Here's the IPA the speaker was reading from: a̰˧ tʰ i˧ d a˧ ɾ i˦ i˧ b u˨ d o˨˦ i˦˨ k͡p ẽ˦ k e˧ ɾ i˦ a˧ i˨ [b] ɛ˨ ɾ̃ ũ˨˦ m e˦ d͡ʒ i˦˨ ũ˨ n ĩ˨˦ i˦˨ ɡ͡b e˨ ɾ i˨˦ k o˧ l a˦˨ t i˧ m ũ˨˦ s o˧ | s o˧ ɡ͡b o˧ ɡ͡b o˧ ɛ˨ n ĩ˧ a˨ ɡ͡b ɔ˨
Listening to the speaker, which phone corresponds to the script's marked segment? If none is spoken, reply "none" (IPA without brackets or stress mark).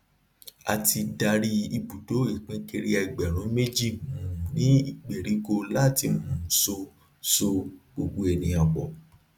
ɡ͡b